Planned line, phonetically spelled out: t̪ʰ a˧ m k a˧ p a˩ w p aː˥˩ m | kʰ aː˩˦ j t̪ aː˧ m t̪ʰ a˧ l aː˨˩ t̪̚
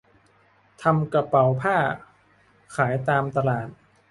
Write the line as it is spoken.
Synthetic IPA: t̪ʰ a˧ m k a˧ p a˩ w pʰ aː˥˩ | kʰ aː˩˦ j t̪ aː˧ m t̪ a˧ l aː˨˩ t̪̚